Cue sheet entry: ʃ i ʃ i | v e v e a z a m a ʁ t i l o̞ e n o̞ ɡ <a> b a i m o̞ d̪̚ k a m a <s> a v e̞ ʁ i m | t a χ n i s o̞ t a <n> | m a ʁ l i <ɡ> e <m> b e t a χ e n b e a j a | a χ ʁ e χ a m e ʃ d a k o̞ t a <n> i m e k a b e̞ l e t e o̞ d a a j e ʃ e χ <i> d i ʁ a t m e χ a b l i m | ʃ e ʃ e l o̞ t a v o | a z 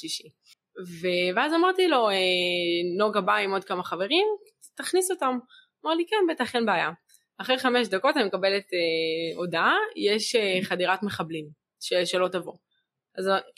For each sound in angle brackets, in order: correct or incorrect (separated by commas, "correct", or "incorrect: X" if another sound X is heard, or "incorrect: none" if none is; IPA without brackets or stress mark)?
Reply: correct, incorrect: χ, incorrect: m, incorrect: k, incorrect: n, correct, incorrect: a